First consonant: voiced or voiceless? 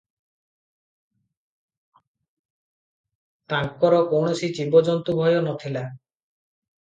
voiceless